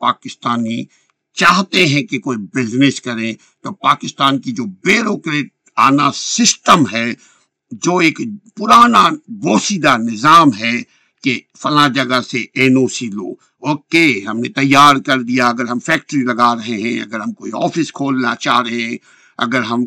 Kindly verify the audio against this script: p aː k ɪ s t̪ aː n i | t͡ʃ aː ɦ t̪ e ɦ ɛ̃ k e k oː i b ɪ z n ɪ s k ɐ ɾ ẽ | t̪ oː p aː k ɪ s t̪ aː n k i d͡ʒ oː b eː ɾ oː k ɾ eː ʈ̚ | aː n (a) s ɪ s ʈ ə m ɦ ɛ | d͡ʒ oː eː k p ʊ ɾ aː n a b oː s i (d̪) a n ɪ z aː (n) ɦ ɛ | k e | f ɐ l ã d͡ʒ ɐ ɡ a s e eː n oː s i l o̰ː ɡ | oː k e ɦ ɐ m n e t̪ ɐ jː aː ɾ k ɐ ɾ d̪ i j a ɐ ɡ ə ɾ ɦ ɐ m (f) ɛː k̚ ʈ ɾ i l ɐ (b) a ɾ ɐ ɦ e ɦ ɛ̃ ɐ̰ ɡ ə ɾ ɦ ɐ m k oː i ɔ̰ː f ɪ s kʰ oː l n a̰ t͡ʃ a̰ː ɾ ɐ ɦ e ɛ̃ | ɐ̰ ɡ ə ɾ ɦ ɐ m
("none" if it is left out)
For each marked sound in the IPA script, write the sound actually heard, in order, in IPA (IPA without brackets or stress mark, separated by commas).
a, d̪, m, f, ɡ